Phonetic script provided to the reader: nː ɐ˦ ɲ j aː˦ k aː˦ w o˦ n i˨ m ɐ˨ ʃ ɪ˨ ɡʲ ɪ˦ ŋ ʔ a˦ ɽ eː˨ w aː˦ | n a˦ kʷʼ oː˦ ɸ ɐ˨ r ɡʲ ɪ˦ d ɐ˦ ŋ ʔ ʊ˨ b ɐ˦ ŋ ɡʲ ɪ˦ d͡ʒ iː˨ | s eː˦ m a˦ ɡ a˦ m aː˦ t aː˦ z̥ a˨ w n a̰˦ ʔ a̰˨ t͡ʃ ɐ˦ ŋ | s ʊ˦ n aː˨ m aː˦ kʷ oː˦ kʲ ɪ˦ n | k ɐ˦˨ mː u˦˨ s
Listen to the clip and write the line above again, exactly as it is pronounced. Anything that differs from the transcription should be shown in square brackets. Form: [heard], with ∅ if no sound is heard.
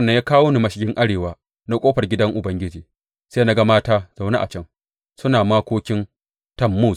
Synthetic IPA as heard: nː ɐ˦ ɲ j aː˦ k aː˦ w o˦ n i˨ m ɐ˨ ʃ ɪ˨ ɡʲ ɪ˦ ŋ ʔ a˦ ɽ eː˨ w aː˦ | n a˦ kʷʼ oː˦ ɸ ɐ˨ r ɡʲ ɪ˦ d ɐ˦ ŋ ʔ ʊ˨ b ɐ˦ ŋ ɡʲ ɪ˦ d͡ʒ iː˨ | s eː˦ [n] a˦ ɡ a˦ m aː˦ t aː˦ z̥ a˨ w n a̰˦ ʔ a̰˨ t͡ʃ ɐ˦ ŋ | s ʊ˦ n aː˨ m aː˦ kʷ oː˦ kʲ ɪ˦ n | [t] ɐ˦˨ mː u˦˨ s